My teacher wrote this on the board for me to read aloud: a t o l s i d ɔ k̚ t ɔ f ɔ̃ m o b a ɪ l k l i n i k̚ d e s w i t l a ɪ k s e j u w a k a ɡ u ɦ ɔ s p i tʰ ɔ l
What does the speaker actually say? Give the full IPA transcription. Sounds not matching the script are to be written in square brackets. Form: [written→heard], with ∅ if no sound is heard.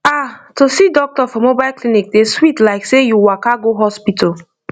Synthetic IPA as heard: a t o [l→∅] s i d ɔ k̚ t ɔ f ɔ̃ m o b a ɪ l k l i n i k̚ d e s w i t l a ɪ k s e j u w a k a ɡ [u→o] ɦ ɔ s p i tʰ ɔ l